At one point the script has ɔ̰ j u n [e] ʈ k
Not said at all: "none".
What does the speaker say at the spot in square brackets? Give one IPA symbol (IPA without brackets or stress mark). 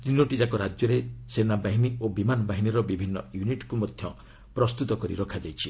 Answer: i